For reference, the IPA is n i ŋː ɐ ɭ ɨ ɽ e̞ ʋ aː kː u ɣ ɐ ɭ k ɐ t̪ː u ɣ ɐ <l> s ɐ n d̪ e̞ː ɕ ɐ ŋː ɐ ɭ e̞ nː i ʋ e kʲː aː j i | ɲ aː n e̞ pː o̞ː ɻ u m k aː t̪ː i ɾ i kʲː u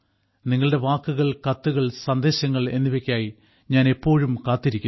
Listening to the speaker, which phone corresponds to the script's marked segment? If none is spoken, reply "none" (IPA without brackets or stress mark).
ɭ